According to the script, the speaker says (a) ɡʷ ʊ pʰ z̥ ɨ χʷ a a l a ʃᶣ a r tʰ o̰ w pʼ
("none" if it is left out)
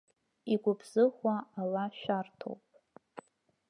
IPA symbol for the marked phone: i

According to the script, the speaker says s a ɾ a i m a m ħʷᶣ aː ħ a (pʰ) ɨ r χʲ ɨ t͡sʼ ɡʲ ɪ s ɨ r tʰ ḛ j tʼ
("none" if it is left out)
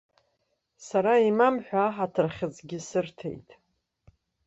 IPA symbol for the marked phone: tʰ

